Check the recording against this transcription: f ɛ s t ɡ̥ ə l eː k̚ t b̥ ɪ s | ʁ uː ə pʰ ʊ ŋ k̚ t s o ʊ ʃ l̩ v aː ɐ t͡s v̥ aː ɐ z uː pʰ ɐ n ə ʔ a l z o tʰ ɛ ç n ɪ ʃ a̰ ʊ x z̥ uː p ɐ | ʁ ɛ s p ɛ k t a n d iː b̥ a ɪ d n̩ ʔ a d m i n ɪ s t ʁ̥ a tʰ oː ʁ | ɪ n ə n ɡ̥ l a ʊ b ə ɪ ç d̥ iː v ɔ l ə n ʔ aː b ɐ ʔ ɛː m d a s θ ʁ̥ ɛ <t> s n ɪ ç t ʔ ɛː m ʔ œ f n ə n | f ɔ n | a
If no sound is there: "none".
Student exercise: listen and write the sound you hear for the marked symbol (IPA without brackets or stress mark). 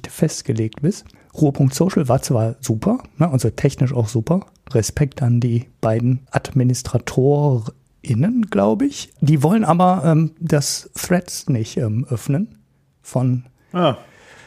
t